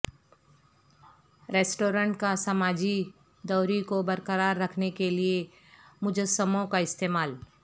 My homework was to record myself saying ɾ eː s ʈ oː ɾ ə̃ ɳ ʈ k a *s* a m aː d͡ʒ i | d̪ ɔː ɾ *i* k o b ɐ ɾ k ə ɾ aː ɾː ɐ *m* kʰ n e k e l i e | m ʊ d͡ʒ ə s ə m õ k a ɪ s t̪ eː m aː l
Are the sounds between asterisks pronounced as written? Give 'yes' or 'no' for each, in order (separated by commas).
yes, yes, no